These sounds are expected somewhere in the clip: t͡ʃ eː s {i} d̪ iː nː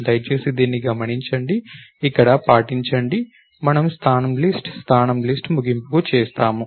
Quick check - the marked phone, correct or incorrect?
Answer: correct